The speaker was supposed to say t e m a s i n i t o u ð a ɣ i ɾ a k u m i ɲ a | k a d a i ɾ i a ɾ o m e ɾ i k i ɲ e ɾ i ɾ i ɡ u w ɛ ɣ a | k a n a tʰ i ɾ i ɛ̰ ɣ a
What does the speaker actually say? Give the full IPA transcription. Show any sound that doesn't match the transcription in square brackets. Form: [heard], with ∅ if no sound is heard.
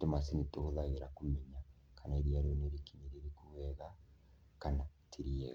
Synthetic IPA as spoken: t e m a s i n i t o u ð a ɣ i ɾ a k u m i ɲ a | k a [n] a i ɾ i a ɾ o [n] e ɾ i k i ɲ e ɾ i ɾ i [k] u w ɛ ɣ a | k a n a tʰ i ɾ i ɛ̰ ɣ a